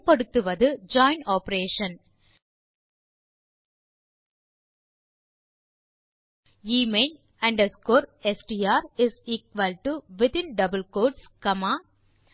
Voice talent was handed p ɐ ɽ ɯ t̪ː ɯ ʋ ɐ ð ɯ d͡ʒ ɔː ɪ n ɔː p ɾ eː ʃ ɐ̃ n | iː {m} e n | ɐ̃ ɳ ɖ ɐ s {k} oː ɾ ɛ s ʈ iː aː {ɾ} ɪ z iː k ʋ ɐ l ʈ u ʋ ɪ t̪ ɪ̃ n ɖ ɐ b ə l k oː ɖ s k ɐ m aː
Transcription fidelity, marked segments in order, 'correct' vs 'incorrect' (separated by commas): correct, correct, correct